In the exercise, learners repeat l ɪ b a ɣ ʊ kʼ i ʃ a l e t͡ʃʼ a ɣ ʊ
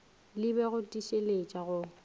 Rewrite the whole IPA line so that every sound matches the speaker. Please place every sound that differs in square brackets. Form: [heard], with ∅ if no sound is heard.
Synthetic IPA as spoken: l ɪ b [ɛ] ɣ ʊ [tʼ] i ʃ [e] l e t͡ʃʼ a ɣ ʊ